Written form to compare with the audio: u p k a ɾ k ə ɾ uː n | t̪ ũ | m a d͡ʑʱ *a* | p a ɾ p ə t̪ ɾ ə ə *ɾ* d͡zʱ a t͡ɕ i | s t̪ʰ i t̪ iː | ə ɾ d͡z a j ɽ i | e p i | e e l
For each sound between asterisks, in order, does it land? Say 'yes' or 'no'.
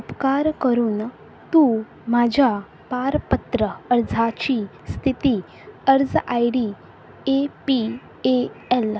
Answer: yes, yes

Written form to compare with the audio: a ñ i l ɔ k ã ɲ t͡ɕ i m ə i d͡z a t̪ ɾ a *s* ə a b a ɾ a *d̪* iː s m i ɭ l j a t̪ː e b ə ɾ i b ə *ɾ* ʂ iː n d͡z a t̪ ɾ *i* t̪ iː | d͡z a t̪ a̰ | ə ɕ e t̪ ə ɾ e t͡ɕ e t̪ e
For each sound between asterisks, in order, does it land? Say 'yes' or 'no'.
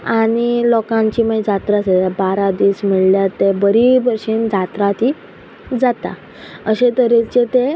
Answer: yes, yes, yes, no

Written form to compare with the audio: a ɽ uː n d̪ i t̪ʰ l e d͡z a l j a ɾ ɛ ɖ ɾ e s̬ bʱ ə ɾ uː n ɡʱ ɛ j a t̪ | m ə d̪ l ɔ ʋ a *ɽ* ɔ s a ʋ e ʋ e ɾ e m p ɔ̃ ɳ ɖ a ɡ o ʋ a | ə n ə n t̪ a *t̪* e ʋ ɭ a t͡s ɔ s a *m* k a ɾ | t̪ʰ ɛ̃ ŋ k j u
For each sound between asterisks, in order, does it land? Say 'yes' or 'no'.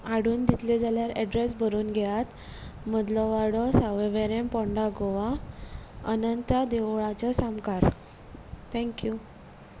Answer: yes, no, yes

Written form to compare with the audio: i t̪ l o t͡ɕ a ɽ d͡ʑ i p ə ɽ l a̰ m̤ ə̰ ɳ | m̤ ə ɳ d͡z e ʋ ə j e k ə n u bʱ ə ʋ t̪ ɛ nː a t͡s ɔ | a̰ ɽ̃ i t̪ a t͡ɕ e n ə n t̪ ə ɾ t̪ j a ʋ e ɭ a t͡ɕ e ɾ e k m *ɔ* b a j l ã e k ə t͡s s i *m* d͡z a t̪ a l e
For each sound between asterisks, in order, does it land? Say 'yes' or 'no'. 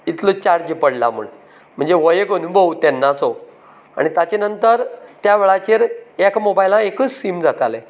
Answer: no, yes

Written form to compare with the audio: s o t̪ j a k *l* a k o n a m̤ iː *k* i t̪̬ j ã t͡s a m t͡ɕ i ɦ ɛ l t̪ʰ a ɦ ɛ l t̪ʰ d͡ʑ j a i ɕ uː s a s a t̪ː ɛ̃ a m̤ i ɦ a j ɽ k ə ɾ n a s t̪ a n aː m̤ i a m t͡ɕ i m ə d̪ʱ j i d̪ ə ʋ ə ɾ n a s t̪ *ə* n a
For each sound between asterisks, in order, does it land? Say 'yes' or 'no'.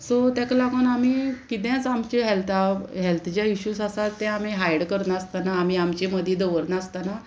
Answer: yes, yes, no

